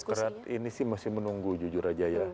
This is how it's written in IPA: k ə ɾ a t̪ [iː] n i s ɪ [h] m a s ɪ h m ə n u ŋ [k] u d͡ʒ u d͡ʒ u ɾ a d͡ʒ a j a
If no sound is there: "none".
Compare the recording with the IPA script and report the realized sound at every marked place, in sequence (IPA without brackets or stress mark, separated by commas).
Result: i, h, ɡ